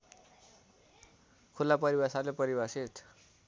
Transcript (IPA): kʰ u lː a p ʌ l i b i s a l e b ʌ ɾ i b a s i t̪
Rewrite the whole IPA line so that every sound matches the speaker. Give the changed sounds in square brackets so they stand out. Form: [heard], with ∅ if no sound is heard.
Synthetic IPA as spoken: kʰ u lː a p ʌ [ɾ] i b [a] s a l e [p] ʌ ɾ i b a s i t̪

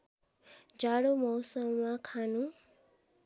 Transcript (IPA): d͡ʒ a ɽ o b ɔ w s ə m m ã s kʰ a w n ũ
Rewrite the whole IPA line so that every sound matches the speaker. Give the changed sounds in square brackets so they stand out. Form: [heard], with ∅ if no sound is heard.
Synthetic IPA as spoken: d͡ʒ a ɽ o [m] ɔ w s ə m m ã [∅] kʰ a [∅] n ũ

